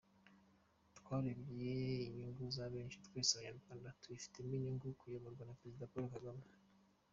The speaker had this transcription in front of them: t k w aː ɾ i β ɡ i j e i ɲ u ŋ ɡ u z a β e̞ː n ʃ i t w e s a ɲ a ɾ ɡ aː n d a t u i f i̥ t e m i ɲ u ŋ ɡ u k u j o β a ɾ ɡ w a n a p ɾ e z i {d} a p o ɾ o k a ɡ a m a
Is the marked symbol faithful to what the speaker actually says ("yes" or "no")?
yes